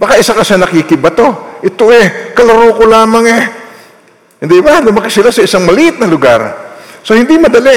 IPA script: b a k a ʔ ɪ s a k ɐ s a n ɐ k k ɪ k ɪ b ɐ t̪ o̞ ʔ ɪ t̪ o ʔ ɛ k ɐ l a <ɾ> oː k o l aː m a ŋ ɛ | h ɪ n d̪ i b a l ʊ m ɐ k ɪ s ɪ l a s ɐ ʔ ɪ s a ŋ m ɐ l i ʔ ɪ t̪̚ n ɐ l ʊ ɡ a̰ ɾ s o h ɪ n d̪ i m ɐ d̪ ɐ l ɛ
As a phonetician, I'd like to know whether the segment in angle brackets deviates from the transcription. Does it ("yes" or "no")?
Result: no